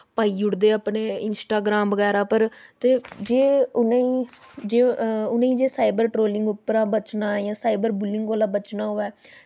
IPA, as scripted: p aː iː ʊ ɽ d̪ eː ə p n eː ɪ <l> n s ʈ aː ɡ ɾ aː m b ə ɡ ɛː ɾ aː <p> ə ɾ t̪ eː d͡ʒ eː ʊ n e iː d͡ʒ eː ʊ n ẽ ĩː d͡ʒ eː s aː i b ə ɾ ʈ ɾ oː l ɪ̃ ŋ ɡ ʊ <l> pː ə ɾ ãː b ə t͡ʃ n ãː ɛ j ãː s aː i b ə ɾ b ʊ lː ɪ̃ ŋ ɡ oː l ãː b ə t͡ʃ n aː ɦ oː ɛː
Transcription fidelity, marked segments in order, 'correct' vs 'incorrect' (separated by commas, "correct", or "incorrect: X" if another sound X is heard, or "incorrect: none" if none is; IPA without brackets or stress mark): incorrect: none, correct, incorrect: none